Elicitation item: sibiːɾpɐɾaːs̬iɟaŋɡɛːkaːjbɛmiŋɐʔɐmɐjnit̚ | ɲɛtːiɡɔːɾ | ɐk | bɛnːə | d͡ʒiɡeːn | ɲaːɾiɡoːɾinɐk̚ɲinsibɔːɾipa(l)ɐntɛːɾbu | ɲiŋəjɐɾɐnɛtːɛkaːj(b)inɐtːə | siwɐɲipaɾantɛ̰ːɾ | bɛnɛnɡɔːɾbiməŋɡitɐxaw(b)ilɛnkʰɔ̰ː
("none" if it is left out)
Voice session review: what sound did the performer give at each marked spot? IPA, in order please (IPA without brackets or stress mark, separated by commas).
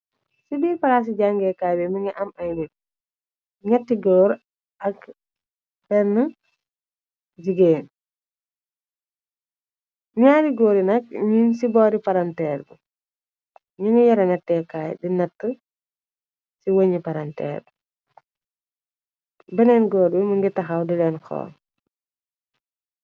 ɾ, d, d